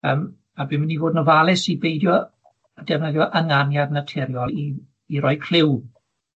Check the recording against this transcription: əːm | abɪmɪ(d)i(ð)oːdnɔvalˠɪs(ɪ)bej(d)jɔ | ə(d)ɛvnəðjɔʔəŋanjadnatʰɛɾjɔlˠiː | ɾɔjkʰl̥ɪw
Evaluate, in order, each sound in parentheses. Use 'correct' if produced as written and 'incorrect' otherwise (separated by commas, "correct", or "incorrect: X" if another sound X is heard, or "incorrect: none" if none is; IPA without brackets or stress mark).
incorrect: n, incorrect: v, incorrect: i, correct, correct